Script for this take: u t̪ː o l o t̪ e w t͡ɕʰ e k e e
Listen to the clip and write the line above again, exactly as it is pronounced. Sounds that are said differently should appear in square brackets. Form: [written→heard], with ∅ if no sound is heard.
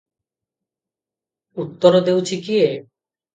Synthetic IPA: u t̪ː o [l→ɾ] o [t̪→d̪] e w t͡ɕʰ [e→i] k [e→i] e